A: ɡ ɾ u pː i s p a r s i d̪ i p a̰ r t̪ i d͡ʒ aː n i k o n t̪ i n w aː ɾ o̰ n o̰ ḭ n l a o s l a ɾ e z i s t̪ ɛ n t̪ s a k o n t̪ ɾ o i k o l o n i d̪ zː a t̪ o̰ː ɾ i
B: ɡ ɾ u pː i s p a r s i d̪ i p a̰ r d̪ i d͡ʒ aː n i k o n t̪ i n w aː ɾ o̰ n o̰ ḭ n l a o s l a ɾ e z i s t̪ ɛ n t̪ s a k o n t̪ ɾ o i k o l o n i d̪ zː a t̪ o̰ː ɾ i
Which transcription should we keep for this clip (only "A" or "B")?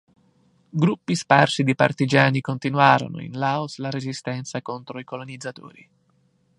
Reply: A